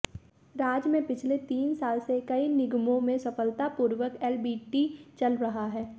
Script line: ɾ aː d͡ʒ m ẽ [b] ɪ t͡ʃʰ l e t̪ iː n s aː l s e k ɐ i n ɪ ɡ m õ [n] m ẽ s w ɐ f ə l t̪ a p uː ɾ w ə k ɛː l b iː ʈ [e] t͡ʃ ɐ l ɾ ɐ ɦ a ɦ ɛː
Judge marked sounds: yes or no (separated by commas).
no, no, no